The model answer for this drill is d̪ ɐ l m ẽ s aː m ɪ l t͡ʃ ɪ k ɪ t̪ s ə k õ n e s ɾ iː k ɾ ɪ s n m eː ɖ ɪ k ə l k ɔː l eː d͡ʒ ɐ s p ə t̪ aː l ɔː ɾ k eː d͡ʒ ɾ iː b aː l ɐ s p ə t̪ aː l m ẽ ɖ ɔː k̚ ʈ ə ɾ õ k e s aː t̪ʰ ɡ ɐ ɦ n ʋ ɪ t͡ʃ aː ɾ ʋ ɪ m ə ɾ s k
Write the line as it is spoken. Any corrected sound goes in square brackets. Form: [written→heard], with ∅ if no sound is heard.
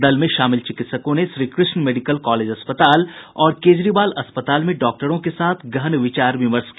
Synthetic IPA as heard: d̪ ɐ l m ẽ [s→ʃ] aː m ɪ l t͡ʃ ɪ k ɪ t̪ s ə k õ n e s ɾ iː k ɾ ɪ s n m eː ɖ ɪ k ə l k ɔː l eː d͡ʒ ɐ s p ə t̪ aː l ɔː ɾ k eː d͡ʒ ɾ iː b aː l ɐ s p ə t̪ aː l m ẽ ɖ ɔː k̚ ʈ ə ɾ õ k e s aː t̪ʰ ɡ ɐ ɦ n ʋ ɪ t͡ʃ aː ɾ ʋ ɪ m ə ɾ s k